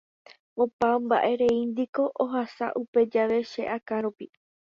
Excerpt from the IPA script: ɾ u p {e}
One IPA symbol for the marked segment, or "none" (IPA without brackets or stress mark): i